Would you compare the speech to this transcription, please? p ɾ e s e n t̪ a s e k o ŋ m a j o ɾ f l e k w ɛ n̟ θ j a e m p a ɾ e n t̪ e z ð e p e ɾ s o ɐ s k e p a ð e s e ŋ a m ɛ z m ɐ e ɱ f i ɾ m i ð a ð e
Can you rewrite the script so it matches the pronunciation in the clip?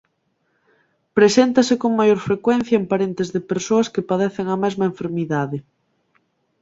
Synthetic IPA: p ɾ e s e n t̪ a s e k o ŋ m a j o ɾ f ɾ e k w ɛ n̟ θ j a e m p a ɾ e n t̪ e z ð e p e ɾ s o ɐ s k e p a ð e θ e ŋ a m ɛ z m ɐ e ɱ f e ɾ m i ð a ð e